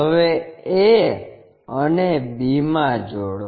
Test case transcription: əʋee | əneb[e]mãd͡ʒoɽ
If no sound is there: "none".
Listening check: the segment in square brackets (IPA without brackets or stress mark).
i